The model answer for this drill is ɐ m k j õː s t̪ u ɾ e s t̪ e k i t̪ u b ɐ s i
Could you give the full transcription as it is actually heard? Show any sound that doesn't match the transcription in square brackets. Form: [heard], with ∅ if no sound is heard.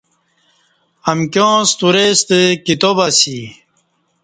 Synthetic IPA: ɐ m k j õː s t̪ u ɾ e s t̪ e k i t̪ [o] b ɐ s i